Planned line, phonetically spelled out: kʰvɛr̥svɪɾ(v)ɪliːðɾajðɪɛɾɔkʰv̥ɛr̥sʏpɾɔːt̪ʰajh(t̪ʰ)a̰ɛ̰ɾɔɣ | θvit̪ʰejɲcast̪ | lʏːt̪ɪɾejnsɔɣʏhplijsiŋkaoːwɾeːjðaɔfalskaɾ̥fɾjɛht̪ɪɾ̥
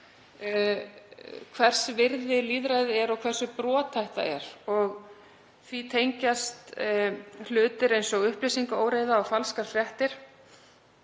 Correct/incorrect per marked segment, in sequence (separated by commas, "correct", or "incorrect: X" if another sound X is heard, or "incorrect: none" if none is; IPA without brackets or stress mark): incorrect: ð, incorrect: t̪